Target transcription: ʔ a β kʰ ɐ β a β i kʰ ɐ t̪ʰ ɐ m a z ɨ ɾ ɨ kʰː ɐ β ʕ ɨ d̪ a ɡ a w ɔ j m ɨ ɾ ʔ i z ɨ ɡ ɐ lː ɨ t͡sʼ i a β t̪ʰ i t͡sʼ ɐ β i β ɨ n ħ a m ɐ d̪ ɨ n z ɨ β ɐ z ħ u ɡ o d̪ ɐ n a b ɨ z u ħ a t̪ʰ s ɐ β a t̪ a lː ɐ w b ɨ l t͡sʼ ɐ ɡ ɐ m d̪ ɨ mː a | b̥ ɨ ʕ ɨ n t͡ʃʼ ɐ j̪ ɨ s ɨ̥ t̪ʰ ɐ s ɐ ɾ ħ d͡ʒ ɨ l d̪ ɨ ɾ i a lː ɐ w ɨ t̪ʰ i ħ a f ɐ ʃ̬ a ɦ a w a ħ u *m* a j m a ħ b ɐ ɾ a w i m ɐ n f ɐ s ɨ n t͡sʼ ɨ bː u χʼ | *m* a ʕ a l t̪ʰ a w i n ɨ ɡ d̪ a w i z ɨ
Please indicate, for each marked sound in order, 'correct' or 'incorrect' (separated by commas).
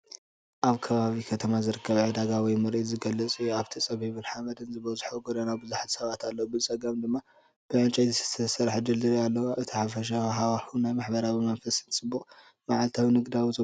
incorrect, correct